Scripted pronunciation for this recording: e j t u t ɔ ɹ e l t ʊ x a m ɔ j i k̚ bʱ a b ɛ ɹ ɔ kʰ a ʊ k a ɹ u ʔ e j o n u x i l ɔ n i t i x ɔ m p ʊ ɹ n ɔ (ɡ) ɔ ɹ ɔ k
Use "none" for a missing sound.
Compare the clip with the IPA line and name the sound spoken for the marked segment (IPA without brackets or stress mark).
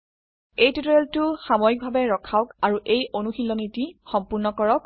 k